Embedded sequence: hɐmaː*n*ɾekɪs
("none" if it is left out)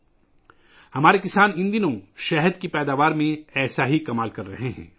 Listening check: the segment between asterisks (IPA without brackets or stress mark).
none